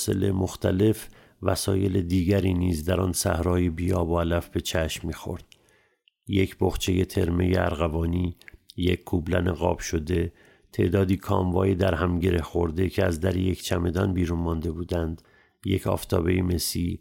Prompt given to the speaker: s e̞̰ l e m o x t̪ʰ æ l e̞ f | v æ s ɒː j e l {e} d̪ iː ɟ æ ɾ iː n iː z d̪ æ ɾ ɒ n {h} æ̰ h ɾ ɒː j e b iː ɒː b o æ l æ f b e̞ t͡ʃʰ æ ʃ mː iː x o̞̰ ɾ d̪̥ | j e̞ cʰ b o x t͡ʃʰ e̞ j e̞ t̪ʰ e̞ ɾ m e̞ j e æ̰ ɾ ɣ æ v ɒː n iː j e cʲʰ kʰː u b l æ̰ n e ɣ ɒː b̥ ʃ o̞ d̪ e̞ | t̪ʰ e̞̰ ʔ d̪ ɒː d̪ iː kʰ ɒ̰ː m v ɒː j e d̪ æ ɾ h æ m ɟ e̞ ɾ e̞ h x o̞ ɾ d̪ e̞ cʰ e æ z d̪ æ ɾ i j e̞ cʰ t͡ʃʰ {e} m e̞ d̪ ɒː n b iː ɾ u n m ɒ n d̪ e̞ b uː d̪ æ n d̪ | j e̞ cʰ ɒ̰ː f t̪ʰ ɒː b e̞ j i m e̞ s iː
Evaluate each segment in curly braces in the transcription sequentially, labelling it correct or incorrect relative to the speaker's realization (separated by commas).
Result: correct, incorrect, incorrect